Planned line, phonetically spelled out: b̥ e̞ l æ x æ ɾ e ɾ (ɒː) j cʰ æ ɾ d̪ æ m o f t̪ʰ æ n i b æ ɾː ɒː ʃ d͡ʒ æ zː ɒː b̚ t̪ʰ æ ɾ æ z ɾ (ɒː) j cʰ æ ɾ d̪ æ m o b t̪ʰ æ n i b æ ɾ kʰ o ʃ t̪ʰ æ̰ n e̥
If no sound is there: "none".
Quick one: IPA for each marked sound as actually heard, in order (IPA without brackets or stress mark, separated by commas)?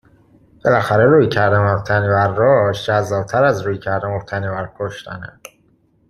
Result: uː, uː